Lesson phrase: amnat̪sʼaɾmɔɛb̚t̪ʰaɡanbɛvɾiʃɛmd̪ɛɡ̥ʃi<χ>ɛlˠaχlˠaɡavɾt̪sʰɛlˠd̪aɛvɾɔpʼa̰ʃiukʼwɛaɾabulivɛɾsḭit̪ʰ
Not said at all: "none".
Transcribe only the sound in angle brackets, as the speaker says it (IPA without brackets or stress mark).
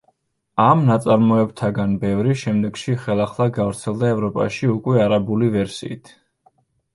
χ